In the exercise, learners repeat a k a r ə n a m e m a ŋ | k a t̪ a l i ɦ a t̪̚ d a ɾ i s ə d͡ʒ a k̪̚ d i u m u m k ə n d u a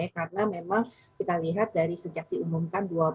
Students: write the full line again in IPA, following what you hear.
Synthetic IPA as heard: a k a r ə n a m e m a ŋ | k i t̪ a l i ɦ a t̪̚ d a ɾ i s ə d͡ʒ a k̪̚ d i u m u m k a n d u a